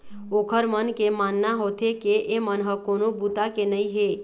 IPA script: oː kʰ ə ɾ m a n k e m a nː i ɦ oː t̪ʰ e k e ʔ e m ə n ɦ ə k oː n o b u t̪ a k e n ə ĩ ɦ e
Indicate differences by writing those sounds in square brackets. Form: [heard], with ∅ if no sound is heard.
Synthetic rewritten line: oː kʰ ə ɾ m [ə] n k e m a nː [a] ɦ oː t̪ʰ e k e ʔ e m ə n ɦ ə k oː n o b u t̪ a k e n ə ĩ ɦ e